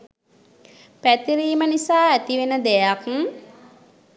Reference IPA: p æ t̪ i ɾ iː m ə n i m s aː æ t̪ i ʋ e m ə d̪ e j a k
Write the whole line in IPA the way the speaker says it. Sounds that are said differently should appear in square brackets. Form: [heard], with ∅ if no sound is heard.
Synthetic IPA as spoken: p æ t̪ i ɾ iː m ə n i [∅] s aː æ t̪ i ʋ e [n] ə d̪ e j a k